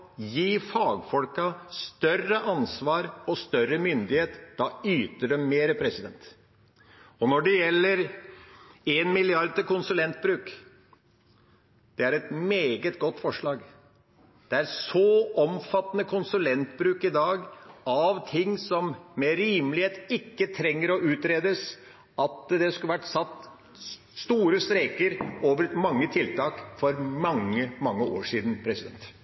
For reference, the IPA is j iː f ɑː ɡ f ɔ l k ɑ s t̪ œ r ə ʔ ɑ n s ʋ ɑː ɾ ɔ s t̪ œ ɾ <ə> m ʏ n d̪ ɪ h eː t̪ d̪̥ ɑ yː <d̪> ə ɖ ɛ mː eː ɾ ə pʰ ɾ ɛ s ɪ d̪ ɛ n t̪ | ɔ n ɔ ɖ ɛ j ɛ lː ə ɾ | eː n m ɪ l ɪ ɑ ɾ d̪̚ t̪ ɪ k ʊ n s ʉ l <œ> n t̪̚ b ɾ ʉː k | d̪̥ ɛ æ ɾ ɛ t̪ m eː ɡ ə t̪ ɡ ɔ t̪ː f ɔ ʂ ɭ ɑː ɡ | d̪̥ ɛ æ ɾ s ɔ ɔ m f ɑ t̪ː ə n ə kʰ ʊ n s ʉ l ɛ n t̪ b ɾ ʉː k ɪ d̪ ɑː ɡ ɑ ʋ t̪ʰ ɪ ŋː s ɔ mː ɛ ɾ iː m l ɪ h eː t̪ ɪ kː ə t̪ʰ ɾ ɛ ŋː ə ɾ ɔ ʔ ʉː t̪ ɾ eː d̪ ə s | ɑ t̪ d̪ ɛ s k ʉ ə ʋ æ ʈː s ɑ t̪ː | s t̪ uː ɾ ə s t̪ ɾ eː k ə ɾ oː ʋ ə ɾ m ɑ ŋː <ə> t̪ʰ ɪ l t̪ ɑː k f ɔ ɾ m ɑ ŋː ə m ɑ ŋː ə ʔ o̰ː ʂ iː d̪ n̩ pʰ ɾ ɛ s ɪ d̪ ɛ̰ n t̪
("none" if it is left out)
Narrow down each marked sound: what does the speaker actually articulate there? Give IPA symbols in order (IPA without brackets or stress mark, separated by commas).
ə, t̪, ɛ, ə